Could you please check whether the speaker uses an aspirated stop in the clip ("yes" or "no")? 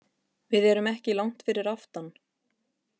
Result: no